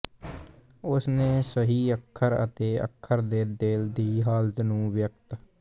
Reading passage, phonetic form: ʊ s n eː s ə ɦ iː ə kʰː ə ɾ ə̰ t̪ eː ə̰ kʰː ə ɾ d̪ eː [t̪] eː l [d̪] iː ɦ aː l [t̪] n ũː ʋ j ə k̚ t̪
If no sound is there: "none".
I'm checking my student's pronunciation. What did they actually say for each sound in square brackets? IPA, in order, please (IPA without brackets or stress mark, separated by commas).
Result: d̪, d̪, t̪